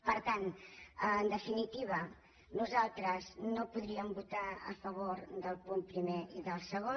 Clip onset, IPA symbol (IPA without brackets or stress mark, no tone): p